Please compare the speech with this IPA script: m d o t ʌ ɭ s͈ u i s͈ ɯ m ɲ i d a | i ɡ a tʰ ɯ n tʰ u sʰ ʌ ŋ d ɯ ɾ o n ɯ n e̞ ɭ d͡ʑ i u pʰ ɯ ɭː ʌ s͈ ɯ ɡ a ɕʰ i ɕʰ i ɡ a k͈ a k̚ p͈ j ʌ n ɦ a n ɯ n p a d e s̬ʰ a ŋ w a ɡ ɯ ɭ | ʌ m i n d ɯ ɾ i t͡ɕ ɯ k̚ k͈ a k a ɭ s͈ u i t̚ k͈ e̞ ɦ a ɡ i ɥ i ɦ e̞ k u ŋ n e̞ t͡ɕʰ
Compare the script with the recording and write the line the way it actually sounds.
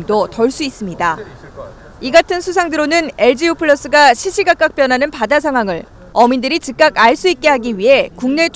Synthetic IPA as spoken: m d o t ʌ ɭ s͈ u i s͈ ɯ m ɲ i d a | i ɡ a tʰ ɯ n sʰ u sʰ a ŋ d ɯ ɾ o n ɯ n e̞ ɭ d͡ʑ i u pʰ ɯ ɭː ʌ s͈ ɯ ɡ a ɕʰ i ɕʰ i ɡ a k͈ a k̚ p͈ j ʌ n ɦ a n ɯ n p a d a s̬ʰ a ŋ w a ŋ ɯ ɭ | ʌ m i n d ɯ ɾ i t͡ɕ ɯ k̚ k͈ a k a ɭ s͈ u i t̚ k͈ e̞ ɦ a ɡ i ɥ i ɦ e̞ k u ŋ n e̞ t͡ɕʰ